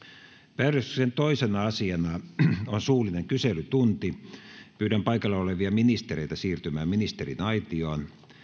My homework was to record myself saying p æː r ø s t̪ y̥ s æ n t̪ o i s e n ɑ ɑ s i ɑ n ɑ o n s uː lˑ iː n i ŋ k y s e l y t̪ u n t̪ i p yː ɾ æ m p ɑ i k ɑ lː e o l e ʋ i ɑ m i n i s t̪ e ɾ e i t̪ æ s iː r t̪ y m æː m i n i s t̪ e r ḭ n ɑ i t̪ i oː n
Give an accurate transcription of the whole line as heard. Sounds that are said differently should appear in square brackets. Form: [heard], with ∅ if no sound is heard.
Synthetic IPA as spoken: p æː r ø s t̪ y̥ s [e] n t̪ o i s e n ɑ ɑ s i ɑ n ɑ o n s uː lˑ [i] n [e] ŋ k y s e l y t̪ u n t̪ i p yː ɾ æ m p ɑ i k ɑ lː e o l e ʋ i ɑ m i n i s t̪ e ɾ e i t̪ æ s iː r t̪ y m æː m i n i s t̪ e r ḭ n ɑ i t̪ i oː n